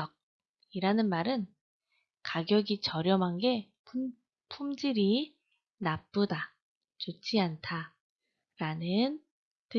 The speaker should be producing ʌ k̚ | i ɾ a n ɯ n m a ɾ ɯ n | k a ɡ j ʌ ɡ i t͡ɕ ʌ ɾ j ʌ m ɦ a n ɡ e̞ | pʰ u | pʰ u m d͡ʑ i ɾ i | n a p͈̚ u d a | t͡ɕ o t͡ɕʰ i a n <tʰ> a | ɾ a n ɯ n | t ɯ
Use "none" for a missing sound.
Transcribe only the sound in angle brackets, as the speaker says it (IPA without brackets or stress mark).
tʰ